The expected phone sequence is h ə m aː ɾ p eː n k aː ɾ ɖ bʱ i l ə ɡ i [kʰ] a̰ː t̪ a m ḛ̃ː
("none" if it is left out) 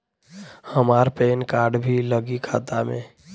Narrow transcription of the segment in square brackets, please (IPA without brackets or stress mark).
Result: kʰ